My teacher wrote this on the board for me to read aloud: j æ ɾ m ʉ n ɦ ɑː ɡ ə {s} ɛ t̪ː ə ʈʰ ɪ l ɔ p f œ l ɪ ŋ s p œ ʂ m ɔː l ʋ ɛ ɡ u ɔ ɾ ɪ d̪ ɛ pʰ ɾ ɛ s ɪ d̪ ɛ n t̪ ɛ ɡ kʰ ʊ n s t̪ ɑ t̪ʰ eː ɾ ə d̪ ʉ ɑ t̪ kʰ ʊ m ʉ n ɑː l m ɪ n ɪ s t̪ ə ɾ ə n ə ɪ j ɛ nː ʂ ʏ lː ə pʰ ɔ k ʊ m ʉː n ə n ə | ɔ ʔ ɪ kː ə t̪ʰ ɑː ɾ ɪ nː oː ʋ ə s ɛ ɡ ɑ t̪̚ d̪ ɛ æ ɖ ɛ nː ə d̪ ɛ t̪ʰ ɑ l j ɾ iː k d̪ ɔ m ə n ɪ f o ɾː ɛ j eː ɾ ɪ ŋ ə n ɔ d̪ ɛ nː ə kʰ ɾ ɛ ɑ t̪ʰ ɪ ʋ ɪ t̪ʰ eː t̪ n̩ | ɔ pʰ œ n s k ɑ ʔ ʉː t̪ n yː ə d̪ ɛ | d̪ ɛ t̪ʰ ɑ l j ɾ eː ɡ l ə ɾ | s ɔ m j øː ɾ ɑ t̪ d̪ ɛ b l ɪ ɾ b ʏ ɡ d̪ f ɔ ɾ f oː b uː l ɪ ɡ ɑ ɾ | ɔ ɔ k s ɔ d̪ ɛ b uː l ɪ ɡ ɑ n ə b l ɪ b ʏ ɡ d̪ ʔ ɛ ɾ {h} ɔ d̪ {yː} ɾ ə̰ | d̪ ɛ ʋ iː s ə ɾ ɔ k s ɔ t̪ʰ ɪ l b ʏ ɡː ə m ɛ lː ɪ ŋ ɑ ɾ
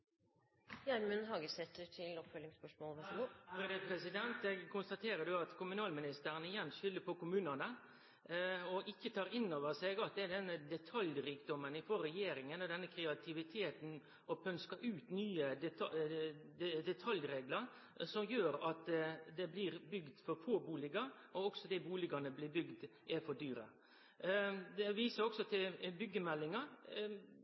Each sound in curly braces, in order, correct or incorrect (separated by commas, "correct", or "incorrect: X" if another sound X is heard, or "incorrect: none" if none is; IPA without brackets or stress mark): correct, incorrect: f, correct